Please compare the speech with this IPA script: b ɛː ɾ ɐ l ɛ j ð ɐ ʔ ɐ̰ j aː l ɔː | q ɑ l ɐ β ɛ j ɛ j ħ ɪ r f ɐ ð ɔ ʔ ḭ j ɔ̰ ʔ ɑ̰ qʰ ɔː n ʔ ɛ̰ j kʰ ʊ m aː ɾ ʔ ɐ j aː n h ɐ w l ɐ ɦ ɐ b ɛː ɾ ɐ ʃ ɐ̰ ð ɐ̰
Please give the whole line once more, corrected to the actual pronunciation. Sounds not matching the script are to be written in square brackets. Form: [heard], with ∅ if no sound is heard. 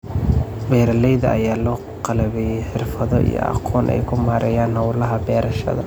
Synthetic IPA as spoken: b ɛː ɾ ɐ l ɛ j ð ɐ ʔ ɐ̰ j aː l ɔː | q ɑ l ɐ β ɛ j ɛ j ħ ɪ r f ɐ ð ɔ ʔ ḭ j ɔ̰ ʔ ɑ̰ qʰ ɔː n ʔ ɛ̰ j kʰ ʊ m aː ɾ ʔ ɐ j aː n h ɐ w l ɐ ɦ ɐ b ɛː ɾ ɐ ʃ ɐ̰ ð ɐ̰